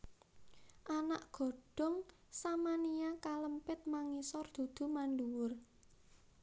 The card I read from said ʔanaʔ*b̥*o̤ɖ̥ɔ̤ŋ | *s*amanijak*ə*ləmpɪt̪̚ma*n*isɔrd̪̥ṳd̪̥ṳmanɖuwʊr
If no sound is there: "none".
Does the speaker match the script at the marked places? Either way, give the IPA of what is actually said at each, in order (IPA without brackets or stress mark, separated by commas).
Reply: ɡ̥, s, a, ŋ